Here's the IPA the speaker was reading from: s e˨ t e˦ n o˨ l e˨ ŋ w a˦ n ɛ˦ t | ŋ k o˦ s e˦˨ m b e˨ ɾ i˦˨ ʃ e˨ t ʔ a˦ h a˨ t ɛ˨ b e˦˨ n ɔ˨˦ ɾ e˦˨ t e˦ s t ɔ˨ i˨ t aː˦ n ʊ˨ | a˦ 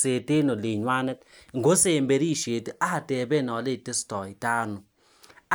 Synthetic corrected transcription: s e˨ t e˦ n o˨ l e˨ ɲ w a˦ n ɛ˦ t | ŋ ɡ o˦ s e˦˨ m b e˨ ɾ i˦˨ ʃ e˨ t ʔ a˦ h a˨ t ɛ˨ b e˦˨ n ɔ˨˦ l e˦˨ t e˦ s t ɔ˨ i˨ t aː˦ n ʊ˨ | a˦